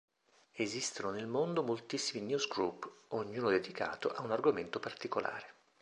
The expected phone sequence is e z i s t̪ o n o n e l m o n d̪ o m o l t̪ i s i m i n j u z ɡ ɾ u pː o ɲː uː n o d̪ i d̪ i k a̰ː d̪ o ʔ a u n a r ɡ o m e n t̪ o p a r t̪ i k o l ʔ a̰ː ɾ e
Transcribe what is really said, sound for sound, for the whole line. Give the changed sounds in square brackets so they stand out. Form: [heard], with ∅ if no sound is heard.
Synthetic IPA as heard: e z i s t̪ o n o n e l m o n d̪ o m o l t̪ i [sː] i m i n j u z ɡ ɾ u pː o ɲː uː n o d̪ [e] d̪ i k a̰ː [t̪] o ʔ a u n a r ɡ o m e n t̪ o p a r t̪ i k o l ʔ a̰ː ɾ e

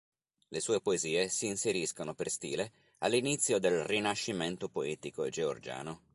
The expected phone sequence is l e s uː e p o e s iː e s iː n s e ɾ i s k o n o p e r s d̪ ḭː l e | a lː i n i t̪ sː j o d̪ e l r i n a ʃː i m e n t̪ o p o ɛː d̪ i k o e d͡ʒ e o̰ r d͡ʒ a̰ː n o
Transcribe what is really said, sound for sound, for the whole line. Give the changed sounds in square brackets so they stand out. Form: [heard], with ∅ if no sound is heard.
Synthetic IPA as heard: l e s uː e p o e [z] iː e s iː n s e ɾ i s k o n o p e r s [t̪] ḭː l e | a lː i n i t̪ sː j o d̪ e l r i n a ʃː i m e n t̪ o p o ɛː [t̪] i k o e d͡ʒ e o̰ r d͡ʒ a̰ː n o

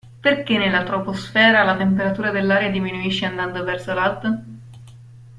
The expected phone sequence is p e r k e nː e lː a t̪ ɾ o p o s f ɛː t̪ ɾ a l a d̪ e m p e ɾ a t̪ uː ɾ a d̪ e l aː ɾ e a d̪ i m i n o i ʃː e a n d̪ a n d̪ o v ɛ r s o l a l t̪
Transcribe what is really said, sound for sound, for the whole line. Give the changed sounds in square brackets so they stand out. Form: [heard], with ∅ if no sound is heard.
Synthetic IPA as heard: p e r k e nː e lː a t̪ ɾ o p o s f ɛː [∅] ɾ a l a [t̪] e m p e ɾ a t̪ uː ɾ a d̪ e [lː] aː ɾ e a d̪ i m i n [u] i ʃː e a n d̪ a n d̪ o v ɛ r s o l a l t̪

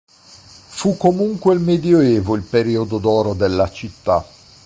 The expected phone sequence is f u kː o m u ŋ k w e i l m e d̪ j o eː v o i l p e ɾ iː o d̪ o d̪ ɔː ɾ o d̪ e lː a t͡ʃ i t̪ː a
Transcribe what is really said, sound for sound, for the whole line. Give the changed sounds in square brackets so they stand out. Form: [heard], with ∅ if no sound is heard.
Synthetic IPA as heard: f u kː o m u ŋ k w e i l m e d̪ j o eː v o i l p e ɾ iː o d̪ o d̪ ɔː ɾ o d̪ e lː a t͡ʃ i t̪ː a

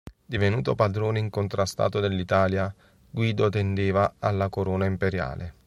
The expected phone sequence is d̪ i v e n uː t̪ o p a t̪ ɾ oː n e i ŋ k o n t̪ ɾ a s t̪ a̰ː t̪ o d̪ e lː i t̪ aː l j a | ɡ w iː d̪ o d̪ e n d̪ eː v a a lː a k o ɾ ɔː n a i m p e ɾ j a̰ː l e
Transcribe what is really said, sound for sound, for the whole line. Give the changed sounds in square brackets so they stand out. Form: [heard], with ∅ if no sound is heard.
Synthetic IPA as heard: d̪ i v e n uː t̪ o p a [d̪] ɾ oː n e i ŋ k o n t̪ ɾ a s t̪ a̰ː t̪ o d̪ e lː i t̪ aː l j a | ɡ w iː d̪ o [t̪] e n d̪ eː v a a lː a k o ɾ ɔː n a i m p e ɾ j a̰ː l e

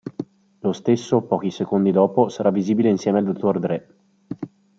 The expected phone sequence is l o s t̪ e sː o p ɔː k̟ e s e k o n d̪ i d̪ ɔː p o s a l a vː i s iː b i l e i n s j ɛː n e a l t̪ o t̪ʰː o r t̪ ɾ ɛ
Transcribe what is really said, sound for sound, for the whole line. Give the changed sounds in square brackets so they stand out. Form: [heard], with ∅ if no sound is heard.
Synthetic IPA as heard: l o s t̪ e sː o p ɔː k̟ [i] s e k o n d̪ i d̪ ɔː p o s a [ɾ] a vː i [z] iː b i l e i n s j ɛː [m] e a l [d̪] o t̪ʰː o r [d̪] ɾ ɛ

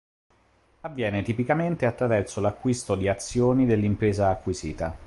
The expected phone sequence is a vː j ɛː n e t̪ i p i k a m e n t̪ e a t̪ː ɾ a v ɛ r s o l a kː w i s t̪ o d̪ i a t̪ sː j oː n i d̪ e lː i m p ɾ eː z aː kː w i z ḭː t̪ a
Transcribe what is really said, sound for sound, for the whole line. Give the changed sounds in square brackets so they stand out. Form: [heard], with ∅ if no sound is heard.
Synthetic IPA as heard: a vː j ɛː n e t̪ i p i k a m e n t̪ e a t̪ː ɾ a v ɛ r s o l a kː w i s t̪ o d̪ i a t̪ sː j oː n i d̪ e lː i m p ɾ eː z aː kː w i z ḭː t̪ a

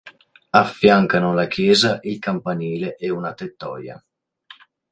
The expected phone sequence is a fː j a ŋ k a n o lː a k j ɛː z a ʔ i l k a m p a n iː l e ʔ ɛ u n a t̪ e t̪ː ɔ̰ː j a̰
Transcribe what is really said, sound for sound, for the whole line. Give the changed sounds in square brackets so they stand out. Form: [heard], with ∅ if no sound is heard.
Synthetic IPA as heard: a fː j a ŋ k a n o [l] a k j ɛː z a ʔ i l k a m p a n iː l e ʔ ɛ u n a t̪ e t̪ː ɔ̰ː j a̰

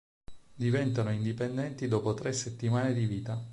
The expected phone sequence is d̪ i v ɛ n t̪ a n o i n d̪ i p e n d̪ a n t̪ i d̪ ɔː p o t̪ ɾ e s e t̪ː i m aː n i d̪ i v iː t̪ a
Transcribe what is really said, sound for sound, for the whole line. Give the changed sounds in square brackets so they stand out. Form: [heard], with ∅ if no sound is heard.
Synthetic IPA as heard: d̪ i v ɛ n t̪ a n o i n d̪ i p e n d̪ [ɛ] n t̪ i d̪ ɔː p o t̪ ɾ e s e t̪ː i m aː n [e] d̪ i v iː t̪ a

